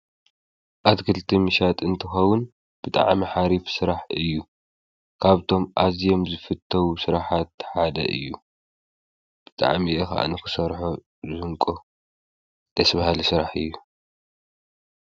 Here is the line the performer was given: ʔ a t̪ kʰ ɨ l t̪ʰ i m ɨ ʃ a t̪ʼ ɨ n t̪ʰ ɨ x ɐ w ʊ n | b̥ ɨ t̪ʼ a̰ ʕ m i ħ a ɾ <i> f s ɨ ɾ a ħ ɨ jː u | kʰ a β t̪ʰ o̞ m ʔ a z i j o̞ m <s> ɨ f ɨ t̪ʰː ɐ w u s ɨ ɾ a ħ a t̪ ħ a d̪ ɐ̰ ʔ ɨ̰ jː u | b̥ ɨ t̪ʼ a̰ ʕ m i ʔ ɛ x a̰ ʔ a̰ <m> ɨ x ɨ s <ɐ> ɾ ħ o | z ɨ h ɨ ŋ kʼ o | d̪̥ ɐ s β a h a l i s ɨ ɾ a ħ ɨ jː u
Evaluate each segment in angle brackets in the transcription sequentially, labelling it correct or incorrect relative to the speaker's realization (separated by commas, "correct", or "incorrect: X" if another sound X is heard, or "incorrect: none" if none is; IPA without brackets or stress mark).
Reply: correct, incorrect: z, incorrect: n, correct